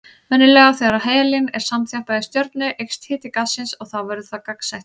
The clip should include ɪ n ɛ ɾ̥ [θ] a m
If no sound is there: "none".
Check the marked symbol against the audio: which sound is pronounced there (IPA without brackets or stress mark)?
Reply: s